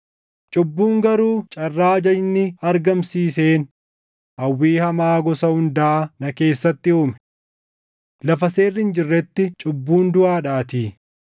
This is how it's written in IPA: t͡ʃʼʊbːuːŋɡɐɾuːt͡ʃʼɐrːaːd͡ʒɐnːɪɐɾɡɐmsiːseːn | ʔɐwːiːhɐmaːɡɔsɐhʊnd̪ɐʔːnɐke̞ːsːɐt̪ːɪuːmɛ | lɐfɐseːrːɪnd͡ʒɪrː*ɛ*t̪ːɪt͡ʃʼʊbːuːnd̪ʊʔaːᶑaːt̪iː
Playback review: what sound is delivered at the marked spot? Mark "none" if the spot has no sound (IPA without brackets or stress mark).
ɛ